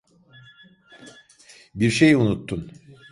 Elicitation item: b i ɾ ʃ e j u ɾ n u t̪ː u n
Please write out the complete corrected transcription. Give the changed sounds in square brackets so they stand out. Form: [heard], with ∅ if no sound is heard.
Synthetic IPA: b i ɾ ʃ e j u [∅] n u t̪ː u n

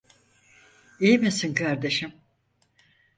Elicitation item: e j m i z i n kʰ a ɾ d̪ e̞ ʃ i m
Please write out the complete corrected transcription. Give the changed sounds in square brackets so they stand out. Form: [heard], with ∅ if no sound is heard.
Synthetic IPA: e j m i [s] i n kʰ a ɾ d̪ e̞ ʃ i m

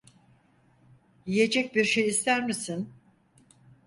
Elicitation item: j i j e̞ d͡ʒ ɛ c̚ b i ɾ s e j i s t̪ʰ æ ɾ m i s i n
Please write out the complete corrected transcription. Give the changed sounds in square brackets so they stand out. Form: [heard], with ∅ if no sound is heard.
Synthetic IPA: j i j e̞ d͡ʒ ɛ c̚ b i ɾ [ʃ] e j i s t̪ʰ æ ɾ m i s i n

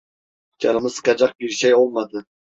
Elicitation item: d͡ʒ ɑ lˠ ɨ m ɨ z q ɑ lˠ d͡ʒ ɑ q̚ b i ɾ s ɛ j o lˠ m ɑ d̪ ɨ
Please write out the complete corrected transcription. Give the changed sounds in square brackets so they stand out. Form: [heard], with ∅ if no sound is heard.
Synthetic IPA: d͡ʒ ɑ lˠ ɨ m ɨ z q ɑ [∅] d͡ʒ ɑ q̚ b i ɾ [ʃ] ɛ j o lˠ m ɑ d̪ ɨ

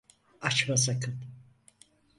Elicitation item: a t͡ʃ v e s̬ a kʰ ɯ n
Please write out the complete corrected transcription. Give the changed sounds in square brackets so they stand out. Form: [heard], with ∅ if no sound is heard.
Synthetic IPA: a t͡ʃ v [a] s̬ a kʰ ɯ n

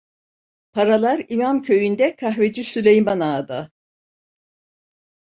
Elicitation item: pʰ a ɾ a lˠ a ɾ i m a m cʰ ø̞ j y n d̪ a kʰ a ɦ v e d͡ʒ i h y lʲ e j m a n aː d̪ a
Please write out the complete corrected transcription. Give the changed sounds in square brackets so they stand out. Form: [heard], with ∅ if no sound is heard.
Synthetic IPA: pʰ a ɾ a lˠ a ɾ i m a m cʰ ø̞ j y n d̪ [ɛ] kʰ a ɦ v e d͡ʒ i [s] y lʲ e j m a n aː d̪ a

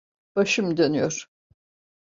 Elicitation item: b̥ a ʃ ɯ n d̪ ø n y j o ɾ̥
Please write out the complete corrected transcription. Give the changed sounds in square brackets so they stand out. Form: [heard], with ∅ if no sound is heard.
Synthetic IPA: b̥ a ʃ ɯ [m] d̪ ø n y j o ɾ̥

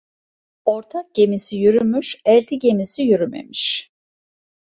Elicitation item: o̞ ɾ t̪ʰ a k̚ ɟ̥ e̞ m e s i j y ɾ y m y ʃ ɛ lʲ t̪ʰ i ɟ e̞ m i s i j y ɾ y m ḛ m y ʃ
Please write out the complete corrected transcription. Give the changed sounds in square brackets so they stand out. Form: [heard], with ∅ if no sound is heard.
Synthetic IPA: o̞ ɾ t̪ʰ a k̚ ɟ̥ e̞ m [i] s i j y ɾ y m y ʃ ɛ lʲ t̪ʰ i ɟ e̞ m i s i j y ɾ y m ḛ m [i] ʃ

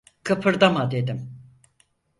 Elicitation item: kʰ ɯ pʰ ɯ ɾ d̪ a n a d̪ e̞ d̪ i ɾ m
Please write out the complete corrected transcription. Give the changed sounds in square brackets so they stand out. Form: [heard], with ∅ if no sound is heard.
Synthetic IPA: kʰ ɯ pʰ ɯ ɾ d̪ a [m] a d̪ e̞ d̪ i [∅] m

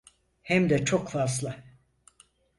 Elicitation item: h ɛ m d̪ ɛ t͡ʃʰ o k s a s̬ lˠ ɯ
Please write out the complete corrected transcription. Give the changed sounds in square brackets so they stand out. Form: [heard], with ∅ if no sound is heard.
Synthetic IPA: h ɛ m d̪ ɛ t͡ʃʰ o k [f] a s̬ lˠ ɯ

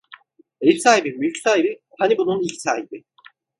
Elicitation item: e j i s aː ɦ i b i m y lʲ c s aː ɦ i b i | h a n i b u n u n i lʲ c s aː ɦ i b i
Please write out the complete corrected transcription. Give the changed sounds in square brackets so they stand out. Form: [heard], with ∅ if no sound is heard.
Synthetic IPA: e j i s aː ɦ i b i m y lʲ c s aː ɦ i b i | h a n i b u n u n i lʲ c s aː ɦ i b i

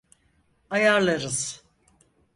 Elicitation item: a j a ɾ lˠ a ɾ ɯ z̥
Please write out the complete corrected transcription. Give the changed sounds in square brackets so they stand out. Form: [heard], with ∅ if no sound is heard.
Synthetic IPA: a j a ɾ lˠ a ɾ ɯ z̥

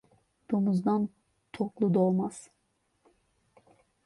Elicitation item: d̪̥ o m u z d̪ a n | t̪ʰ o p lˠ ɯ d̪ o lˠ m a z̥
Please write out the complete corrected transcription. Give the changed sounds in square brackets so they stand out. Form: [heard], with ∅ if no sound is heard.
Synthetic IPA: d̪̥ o m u z d̪ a n | t̪ʰ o [k] lˠ [u] d̪ o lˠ m a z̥

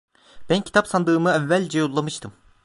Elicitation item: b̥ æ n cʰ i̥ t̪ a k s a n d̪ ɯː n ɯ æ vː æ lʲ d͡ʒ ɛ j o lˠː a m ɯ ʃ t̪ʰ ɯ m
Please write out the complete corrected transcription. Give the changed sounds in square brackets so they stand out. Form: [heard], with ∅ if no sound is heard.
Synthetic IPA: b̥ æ n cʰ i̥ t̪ a [p] s a n d̪ ɯː [m] ɯ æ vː æ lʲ d͡ʒ ɛ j o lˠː a m ɯ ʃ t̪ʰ ɯ m

